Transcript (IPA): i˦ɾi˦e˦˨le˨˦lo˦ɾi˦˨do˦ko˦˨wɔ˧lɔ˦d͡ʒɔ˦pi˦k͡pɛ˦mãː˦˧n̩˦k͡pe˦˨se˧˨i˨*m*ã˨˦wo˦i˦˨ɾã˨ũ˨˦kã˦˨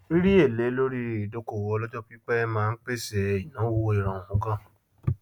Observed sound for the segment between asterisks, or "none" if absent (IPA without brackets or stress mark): n